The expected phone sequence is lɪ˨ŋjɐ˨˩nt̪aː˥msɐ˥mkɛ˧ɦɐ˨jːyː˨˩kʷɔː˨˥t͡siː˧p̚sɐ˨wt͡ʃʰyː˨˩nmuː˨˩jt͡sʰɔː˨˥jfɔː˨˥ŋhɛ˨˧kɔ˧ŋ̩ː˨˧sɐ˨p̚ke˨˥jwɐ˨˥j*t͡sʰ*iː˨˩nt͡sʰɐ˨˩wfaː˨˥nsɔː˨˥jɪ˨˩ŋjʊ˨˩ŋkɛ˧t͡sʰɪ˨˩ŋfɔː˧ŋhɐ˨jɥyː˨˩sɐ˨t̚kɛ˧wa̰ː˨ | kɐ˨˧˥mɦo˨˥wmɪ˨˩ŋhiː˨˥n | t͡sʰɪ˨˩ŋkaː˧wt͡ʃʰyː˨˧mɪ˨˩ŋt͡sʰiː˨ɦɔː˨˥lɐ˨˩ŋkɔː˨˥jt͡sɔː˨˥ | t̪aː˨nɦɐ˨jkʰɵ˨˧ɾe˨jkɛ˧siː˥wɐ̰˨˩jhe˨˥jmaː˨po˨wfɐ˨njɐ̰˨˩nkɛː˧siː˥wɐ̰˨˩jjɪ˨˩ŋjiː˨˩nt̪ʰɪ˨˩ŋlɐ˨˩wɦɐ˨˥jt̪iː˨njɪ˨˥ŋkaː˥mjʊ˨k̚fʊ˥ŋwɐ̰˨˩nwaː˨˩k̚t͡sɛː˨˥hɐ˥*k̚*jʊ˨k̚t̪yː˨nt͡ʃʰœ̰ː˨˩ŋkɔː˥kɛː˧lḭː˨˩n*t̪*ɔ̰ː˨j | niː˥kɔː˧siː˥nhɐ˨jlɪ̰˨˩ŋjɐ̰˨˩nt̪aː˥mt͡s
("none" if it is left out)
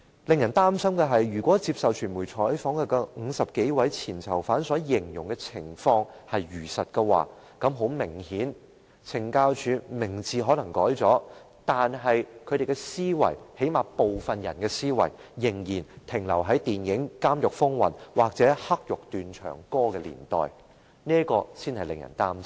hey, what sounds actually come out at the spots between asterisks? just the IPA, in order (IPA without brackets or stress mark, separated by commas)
t͡sʰ, k̚, t̪